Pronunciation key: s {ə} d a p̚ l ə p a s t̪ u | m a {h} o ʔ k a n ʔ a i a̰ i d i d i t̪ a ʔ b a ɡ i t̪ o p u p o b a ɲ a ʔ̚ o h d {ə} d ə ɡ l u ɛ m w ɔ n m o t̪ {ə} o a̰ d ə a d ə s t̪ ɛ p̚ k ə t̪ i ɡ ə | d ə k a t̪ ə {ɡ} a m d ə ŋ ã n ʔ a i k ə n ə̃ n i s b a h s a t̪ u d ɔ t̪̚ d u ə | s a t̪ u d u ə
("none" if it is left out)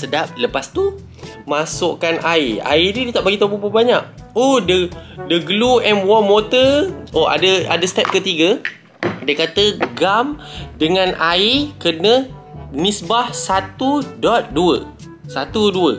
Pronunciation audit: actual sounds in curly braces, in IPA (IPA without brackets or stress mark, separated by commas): ə, s, ə, ə, ɡ